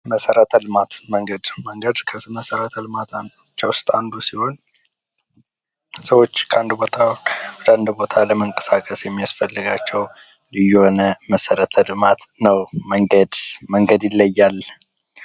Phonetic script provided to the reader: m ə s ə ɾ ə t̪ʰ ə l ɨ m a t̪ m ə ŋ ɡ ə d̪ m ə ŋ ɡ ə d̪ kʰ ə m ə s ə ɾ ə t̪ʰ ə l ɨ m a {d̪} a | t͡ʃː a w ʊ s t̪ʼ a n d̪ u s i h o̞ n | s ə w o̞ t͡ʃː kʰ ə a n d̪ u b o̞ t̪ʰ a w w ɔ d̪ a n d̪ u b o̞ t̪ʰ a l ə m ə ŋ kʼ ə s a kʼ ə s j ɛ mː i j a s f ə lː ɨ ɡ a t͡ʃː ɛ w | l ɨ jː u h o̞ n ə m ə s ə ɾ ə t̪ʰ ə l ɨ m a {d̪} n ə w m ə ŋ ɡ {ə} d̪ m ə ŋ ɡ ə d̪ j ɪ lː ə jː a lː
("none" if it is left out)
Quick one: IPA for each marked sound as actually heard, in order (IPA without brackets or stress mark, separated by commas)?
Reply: t̪, t̪, ə